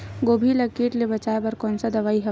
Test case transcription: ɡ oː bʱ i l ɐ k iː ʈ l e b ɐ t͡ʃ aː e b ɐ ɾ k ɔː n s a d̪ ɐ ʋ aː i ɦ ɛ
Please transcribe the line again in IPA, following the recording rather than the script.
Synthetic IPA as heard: ɡ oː bʱ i l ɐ k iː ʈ l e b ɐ t͡ʃ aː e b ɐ ɾ k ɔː n s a d̪ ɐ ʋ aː i ɦ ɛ